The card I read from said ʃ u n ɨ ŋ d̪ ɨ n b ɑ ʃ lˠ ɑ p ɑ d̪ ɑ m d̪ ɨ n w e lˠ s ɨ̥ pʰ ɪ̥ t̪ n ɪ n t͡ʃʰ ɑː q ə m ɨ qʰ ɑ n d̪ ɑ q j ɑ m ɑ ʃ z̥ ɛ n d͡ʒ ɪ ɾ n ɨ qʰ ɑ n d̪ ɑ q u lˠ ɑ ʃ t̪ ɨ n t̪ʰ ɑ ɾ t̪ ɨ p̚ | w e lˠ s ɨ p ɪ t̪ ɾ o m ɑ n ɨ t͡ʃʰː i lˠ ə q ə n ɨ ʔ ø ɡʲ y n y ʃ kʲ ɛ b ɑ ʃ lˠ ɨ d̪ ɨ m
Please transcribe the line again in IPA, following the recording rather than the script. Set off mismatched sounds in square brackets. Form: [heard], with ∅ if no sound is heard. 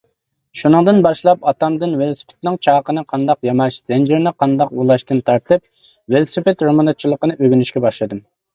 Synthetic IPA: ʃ u n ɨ ŋ d̪ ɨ n b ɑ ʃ lˠ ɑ p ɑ [t̪] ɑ m d̪ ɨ n w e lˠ s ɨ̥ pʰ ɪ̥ t̪ n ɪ [ŋ] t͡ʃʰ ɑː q ə [n] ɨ qʰ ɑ n d̪ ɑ q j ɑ m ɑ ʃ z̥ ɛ n d͡ʒ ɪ ɾ n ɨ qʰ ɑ n d̪ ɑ q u lˠ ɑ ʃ t̪ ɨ n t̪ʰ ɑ ɾ t̪ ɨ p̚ | w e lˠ s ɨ p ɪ t̪ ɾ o m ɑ n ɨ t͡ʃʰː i lˠ ə q ə n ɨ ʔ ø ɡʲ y n y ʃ kʲ ɛ b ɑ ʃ lˠ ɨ d̪ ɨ m

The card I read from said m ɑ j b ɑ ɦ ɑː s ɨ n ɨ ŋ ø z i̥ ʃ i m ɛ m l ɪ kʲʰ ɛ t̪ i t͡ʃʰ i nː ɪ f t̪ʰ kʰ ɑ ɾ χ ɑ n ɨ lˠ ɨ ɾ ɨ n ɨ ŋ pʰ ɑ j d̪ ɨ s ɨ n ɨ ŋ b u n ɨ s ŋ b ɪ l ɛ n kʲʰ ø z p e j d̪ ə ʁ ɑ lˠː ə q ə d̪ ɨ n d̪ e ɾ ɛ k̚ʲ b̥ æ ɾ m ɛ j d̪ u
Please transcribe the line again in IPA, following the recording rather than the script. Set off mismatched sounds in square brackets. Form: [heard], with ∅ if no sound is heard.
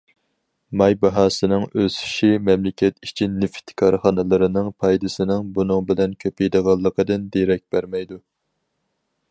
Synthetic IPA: m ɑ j b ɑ ɦ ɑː s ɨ n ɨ ŋ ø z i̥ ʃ i m ɛ m l ɪ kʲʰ ɛ t̪ i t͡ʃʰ i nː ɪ f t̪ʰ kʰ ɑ ɾ χ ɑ n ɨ lˠ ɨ ɾ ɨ n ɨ ŋ pʰ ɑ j d̪ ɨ s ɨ n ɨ ŋ b u n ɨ [∅] ŋ b ɪ l ɛ n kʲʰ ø [∅] p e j d̪ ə ʁ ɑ lˠː ə q ə d̪ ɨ n d̪ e ɾ ɛ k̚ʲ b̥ æ ɾ m ɛ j d̪ u

